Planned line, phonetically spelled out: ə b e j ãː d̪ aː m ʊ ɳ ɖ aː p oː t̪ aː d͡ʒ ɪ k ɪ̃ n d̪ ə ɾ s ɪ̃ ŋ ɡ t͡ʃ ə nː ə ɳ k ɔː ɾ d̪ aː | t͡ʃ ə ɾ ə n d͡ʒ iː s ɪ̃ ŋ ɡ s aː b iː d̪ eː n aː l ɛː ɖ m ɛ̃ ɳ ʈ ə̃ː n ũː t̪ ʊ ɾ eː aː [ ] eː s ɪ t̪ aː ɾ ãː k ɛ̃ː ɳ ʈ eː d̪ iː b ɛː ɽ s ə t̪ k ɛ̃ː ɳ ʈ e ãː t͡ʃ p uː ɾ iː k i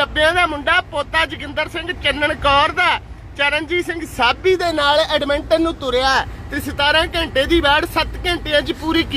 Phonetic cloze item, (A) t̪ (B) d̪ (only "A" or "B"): A